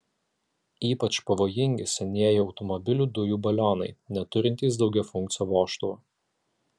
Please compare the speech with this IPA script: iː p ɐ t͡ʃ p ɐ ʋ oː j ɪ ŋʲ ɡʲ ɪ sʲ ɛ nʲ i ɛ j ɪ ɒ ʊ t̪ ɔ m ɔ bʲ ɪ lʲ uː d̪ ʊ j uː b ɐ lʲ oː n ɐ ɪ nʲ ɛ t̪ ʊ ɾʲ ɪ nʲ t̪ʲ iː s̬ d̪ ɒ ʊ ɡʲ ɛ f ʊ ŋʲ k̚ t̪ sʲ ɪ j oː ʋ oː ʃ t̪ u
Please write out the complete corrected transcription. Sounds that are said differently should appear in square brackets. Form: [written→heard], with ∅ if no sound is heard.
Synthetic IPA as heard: iː p ɐ t͡ʃ p ɐ ʋ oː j ɪ ŋʲ ɡʲ ɪ sʲ ɛ nʲ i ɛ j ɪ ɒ ʊ t̪ ɔ m ɔ bʲ ɪ lʲ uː d̪ ʊ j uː b ɐ lʲ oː n ɐ ɪ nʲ ɛ t̪ ʊ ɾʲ ɪ nʲ t̪ʲ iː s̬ d̪ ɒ ʊ ɡʲ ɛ f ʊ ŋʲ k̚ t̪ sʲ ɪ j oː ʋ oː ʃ t̪ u